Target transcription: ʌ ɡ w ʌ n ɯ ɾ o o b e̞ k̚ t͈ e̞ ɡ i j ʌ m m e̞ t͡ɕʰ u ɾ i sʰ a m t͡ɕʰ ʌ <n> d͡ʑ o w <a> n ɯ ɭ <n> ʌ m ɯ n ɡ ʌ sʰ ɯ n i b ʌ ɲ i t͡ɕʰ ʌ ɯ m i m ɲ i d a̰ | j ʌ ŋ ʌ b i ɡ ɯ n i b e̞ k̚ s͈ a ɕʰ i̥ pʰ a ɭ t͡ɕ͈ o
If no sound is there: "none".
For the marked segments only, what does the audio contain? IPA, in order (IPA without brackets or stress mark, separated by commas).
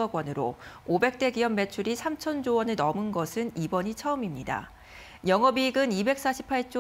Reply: n, ʌ, n